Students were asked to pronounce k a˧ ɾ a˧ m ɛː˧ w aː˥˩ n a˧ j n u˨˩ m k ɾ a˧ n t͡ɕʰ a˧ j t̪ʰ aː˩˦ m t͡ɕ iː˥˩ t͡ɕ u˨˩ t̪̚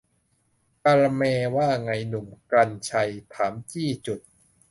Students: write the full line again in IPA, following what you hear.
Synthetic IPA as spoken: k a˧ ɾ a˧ m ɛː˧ w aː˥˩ ŋ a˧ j n u˨˩ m k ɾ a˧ n t͡ɕʰ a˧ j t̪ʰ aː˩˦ m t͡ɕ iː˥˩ t͡ɕ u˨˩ t̪̚